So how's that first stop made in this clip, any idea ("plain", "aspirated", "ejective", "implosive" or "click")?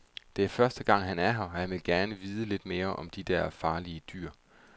plain